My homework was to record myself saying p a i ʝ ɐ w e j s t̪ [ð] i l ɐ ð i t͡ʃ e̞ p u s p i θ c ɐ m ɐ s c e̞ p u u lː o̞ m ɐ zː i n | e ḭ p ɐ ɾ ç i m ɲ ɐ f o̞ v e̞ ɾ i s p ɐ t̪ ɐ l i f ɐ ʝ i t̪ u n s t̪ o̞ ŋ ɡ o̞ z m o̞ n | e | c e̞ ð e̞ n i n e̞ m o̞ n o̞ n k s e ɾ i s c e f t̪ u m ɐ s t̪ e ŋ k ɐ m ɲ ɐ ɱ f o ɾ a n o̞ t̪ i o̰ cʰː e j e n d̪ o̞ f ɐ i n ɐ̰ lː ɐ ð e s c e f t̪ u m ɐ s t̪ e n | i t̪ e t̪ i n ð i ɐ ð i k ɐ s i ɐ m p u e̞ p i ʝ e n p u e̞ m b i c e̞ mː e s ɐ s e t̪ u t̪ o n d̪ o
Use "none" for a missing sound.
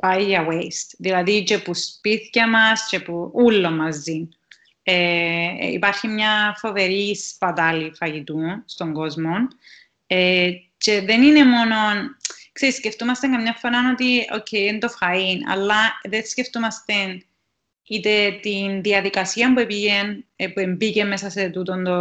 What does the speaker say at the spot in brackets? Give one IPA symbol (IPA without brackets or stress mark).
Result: ð